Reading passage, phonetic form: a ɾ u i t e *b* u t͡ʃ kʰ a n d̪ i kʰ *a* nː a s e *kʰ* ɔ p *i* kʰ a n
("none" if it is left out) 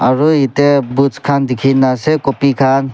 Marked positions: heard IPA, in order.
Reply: b, i, k, i

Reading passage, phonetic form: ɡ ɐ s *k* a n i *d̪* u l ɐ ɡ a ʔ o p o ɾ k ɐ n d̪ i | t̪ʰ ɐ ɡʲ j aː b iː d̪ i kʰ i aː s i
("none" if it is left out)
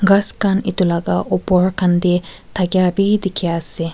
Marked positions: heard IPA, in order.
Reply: k, t̪

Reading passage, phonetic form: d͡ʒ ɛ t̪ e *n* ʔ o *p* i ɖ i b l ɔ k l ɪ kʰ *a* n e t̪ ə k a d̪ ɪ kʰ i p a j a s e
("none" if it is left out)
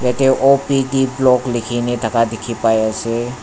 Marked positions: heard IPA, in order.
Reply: none, p, i

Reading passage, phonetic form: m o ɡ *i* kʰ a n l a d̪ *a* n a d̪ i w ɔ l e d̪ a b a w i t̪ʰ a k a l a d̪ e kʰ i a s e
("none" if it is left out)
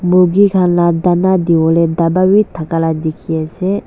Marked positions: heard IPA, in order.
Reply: i, a

